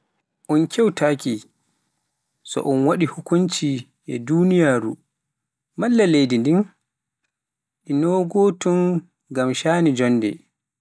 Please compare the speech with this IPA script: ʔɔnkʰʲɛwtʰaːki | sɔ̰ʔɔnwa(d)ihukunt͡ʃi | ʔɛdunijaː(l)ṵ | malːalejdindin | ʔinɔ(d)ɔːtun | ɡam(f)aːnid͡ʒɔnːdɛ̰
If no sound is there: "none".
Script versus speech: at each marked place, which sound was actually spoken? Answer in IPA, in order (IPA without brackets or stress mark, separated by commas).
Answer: ɗ, ɾ, ɡ, ʃ